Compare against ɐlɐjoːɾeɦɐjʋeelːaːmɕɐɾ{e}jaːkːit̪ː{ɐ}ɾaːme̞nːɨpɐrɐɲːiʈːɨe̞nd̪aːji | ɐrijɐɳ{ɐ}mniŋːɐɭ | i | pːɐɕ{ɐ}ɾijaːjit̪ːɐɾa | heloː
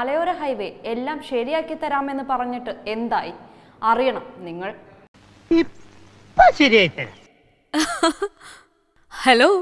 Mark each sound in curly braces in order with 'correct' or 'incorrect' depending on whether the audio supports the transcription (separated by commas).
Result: incorrect, correct, correct, correct